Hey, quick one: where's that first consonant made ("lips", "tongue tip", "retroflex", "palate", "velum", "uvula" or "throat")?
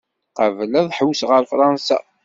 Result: uvula